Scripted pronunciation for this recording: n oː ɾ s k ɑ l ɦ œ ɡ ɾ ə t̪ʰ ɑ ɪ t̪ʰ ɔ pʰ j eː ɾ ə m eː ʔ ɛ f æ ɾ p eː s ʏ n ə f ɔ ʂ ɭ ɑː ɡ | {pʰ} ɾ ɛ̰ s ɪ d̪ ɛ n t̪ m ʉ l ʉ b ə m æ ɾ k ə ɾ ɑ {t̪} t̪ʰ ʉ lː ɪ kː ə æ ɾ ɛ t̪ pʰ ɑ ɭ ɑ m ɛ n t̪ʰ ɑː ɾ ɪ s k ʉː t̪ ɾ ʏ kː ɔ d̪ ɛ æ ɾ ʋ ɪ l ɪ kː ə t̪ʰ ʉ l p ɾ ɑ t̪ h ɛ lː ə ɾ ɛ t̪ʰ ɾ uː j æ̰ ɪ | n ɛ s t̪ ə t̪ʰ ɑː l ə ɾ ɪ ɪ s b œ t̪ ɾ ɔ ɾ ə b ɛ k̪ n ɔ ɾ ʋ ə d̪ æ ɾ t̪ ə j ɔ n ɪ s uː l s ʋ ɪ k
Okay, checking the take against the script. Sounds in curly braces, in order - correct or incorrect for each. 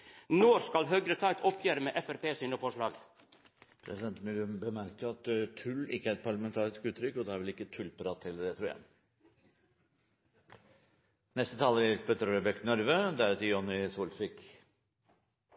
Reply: correct, correct

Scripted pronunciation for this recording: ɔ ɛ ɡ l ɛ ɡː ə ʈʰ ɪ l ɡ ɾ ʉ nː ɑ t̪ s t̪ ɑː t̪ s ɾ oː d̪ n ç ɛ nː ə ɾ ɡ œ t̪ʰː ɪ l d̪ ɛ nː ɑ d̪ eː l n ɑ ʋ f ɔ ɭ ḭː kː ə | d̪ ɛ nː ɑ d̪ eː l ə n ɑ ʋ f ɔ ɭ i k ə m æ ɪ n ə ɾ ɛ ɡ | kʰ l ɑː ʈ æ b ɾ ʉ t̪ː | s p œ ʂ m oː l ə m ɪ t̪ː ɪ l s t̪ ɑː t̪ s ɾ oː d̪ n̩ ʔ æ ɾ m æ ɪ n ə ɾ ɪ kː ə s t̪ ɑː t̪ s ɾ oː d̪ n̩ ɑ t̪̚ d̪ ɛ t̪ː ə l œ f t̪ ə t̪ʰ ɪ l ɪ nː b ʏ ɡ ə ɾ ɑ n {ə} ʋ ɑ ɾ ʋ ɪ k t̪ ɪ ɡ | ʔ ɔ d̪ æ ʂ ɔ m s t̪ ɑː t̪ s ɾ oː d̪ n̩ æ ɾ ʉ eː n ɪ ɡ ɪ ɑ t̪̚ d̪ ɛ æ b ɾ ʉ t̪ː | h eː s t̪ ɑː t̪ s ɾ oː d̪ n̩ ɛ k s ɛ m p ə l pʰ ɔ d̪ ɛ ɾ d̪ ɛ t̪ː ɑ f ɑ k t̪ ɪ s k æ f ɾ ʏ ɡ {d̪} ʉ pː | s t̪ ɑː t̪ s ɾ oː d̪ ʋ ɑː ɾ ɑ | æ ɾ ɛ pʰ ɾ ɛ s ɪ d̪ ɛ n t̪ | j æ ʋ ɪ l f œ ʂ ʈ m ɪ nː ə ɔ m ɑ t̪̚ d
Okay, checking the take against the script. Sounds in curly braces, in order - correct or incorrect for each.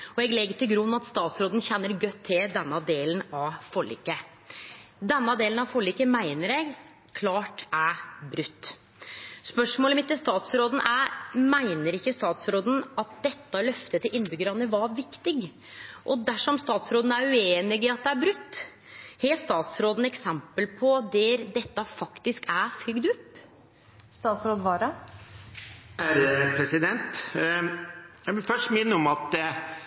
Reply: correct, correct

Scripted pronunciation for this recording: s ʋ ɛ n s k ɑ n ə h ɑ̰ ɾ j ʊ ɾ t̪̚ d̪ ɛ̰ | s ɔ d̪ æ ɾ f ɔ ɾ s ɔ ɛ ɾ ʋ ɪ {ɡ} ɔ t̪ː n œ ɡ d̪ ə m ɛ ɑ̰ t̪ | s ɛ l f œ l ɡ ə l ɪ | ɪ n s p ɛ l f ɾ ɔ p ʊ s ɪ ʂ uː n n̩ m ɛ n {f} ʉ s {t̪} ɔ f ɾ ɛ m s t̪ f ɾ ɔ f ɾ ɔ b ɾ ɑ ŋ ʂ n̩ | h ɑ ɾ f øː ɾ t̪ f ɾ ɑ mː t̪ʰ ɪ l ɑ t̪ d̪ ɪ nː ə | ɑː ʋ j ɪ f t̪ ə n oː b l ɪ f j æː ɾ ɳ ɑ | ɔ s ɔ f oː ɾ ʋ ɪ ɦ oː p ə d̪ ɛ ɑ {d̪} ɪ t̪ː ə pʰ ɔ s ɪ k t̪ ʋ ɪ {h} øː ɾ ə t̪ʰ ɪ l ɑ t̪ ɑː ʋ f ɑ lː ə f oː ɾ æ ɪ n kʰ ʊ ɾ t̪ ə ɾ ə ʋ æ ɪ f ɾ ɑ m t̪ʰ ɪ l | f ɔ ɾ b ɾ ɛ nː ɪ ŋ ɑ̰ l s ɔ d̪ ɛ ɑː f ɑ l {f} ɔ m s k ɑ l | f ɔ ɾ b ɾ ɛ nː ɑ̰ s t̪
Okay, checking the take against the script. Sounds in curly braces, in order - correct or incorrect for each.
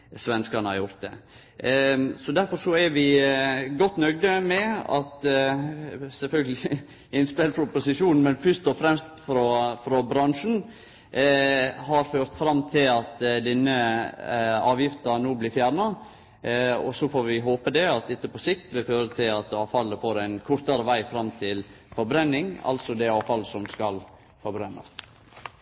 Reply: correct, correct, correct, incorrect, incorrect, incorrect

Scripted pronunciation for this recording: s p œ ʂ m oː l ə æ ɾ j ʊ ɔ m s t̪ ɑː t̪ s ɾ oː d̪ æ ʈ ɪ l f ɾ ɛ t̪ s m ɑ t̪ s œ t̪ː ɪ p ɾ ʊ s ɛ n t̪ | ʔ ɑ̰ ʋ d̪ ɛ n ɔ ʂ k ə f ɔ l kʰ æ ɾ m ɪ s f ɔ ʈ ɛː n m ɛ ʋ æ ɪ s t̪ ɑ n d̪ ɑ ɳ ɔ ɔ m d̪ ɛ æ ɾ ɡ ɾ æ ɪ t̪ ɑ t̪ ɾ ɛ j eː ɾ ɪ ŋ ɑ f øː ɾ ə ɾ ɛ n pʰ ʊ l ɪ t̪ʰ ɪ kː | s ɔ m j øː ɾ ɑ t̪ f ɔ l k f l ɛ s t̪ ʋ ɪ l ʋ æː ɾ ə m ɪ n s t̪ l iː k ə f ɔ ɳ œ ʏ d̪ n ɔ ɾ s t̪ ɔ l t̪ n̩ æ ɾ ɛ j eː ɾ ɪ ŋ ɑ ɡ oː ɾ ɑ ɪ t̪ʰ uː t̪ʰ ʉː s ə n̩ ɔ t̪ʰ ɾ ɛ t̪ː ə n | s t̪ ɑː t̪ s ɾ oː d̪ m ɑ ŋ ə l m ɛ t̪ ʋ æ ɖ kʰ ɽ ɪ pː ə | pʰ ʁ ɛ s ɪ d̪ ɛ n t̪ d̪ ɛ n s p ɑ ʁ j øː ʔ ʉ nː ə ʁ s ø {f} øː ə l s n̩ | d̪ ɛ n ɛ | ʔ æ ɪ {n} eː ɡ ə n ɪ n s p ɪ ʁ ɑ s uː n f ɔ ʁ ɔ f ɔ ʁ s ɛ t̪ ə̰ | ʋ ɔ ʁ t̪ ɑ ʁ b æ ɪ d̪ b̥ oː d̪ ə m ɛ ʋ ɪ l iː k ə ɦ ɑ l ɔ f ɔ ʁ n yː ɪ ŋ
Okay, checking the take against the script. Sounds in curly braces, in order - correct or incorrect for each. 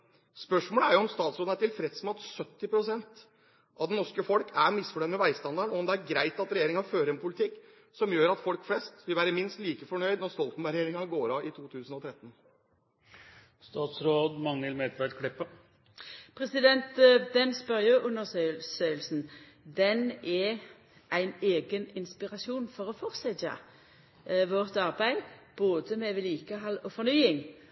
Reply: incorrect, correct

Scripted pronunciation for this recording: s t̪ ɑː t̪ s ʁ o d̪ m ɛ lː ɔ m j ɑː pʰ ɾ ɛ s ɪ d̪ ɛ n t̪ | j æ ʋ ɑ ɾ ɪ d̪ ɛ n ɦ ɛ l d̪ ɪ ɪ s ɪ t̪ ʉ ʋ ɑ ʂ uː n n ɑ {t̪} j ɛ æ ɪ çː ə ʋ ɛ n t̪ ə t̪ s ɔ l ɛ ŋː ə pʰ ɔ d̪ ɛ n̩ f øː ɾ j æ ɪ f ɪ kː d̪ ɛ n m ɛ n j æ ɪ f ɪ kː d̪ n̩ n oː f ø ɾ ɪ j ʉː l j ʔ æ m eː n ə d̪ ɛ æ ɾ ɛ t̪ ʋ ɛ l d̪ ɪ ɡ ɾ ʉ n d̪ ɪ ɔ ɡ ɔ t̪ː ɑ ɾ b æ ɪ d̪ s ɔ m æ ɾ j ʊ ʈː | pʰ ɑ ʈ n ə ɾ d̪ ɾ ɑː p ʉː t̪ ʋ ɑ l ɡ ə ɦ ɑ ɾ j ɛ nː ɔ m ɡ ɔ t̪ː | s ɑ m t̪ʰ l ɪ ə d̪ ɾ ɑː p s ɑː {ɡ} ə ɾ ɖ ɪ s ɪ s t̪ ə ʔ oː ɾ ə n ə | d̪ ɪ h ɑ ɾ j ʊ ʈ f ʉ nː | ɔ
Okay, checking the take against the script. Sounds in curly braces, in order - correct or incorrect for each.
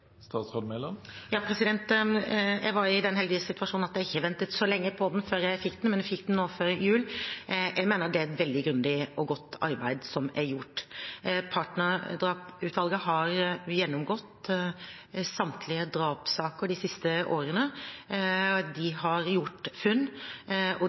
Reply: correct, incorrect

